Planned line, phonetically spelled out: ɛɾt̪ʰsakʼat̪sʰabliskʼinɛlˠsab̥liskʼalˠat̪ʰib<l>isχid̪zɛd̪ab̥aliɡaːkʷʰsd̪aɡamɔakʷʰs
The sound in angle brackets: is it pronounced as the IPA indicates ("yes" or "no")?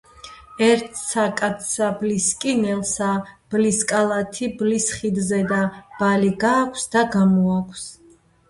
yes